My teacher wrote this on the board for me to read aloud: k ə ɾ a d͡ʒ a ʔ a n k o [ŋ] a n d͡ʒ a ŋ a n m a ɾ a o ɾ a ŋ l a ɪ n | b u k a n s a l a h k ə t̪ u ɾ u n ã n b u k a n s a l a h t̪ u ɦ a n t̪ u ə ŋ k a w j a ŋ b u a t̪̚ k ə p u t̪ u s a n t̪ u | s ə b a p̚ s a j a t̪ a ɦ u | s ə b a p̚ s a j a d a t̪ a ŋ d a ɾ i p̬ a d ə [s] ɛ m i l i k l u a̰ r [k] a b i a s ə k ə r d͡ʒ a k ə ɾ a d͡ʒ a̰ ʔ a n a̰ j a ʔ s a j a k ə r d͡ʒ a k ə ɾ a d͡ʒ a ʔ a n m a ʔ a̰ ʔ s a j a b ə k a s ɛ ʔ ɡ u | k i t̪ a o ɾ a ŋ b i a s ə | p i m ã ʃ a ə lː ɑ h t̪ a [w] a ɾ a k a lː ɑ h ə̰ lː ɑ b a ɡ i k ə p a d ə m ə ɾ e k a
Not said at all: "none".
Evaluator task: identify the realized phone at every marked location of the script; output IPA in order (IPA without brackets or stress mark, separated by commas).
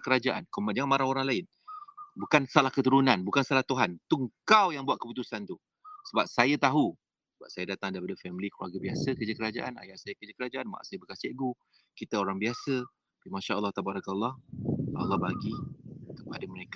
m, f, ɡ, b